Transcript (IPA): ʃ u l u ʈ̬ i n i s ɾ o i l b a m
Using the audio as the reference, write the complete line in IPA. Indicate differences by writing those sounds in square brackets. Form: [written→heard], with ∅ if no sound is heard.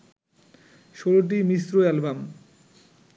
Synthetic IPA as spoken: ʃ [u→o] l [u→o] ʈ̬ i [n→m] i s ɾ o [i→ɛ] l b a m